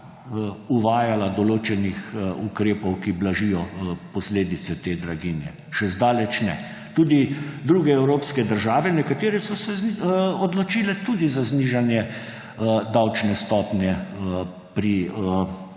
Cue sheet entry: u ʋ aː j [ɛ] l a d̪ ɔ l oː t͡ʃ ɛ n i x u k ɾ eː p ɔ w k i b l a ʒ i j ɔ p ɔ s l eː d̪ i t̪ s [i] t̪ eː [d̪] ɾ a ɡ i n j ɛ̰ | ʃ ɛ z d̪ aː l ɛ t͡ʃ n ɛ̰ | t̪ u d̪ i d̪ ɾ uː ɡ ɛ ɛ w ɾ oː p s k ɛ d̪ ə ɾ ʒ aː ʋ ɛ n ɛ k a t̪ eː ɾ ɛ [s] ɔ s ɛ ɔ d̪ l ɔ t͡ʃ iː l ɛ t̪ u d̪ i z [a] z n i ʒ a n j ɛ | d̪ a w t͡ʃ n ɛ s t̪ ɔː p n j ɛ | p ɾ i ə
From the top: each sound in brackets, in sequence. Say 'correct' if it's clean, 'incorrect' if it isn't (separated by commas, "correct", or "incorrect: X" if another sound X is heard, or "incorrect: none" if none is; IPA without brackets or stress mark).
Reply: incorrect: a, incorrect: ɛ, correct, correct, correct